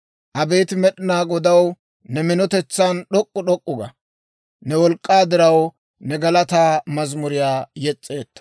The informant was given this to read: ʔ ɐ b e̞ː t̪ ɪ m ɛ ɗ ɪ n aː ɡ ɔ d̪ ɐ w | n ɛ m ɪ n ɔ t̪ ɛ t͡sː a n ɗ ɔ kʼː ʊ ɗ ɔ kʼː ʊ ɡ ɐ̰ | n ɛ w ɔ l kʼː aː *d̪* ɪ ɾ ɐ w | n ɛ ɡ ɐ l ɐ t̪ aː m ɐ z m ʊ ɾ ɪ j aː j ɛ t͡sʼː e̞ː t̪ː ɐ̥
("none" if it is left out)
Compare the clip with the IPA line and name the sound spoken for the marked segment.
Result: d̪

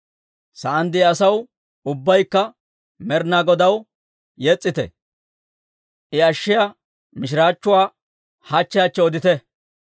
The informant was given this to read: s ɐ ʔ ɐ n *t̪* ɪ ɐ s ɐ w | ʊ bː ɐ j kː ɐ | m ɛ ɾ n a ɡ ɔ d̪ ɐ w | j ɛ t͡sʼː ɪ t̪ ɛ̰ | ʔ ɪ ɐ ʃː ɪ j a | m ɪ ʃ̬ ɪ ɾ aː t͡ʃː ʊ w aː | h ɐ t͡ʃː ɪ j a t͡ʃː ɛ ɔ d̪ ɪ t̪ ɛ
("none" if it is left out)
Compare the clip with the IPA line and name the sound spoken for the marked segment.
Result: d̪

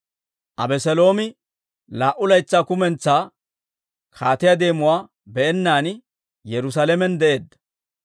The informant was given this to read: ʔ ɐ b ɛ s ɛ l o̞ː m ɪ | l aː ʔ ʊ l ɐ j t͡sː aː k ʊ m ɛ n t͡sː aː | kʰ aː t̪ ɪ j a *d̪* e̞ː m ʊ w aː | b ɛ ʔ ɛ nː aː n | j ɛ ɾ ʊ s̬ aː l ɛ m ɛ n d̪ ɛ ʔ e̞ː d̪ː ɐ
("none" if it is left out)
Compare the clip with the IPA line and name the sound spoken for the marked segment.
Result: d̪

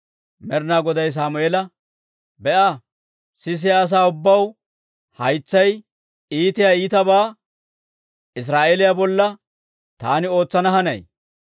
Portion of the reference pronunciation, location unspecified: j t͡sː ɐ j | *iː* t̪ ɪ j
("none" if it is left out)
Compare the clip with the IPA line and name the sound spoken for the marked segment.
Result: iː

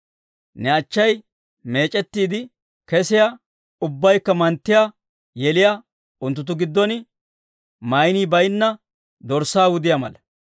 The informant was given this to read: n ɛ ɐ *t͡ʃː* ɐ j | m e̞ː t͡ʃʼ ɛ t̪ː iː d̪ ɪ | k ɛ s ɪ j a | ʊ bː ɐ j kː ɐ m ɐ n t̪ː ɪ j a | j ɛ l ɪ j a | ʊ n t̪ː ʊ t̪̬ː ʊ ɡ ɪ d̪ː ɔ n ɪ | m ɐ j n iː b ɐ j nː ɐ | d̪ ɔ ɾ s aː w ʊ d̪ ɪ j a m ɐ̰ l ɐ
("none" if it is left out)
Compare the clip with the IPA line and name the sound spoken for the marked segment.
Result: t͡ʃː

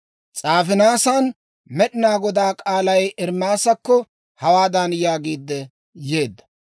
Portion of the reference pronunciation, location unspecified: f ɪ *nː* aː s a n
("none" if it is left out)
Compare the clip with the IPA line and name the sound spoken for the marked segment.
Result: n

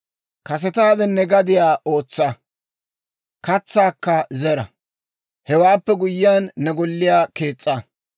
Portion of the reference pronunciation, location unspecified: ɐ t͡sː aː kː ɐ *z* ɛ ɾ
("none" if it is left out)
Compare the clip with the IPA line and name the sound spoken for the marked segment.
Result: z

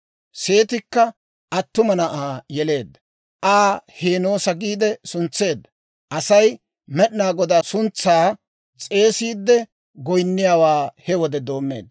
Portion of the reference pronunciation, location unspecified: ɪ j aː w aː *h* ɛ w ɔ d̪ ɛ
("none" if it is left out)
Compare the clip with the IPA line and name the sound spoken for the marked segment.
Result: h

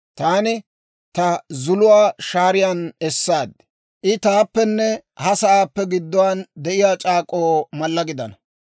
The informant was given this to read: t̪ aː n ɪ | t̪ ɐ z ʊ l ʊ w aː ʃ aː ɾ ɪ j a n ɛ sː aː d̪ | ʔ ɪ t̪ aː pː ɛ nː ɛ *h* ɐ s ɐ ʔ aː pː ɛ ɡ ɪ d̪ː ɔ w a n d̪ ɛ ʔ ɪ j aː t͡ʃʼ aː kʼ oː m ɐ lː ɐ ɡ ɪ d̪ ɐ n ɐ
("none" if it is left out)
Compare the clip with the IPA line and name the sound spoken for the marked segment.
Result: h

